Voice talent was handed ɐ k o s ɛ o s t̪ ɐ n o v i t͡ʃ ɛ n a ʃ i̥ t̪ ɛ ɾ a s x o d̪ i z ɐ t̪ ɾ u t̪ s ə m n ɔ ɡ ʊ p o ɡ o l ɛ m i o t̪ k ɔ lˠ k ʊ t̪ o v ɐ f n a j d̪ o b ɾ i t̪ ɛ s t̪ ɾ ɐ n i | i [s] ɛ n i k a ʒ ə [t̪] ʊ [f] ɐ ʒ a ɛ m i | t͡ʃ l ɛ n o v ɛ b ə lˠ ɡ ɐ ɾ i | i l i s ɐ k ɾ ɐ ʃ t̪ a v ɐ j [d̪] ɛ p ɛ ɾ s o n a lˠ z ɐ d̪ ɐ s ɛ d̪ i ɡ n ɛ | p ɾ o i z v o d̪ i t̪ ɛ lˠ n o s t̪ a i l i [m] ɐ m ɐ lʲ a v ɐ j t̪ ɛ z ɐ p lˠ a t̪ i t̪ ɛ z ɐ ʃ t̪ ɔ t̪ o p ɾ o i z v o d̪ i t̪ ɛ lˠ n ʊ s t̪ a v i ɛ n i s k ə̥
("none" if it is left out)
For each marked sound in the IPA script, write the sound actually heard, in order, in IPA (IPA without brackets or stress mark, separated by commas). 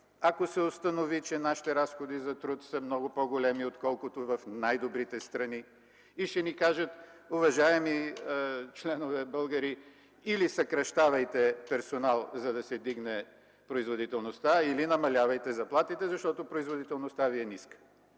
ʃ, t̪, v, t̪, n